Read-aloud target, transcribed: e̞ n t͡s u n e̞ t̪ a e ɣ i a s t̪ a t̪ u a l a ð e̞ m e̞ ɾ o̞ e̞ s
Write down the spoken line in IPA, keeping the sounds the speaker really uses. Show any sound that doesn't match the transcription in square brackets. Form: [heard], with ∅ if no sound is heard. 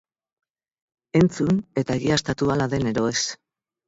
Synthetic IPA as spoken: e̞ n t͡s u n e̞ t̪ a e ɣ i a s t̪ a t̪ u a l a ð e̞ [n] e̞ ɾ o̞ e̞ s